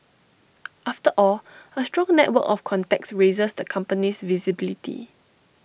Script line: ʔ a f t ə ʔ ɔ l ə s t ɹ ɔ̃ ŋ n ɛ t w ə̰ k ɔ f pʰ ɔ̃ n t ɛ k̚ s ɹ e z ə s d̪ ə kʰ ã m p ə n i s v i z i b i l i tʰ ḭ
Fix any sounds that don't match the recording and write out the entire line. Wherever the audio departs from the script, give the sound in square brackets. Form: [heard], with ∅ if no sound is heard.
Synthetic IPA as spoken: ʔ a f t ə ʔ ɔ l ə s t ɹ ɔ̃ ŋ n ɛ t w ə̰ k ɔ f [kʰ] ɔ̃ n t ɛ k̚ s ɹ e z ə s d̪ ə kʰ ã m p ə n i s v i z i b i l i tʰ ḭ